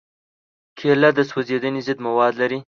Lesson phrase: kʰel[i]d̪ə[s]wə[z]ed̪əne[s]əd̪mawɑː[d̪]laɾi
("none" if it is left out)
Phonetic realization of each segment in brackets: a, s, z, z, d̪

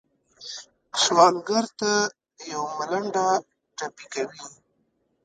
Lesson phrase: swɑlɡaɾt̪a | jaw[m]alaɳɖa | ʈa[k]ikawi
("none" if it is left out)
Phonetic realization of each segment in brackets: m, p

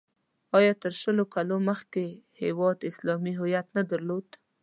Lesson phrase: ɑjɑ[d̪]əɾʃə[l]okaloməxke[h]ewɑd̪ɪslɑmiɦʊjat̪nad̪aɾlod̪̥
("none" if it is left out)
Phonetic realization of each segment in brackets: t̪, l, h

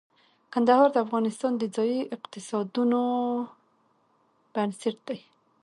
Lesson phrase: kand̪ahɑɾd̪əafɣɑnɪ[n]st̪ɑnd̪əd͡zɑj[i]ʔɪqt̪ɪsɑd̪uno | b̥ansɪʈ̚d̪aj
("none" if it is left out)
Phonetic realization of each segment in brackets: none, i

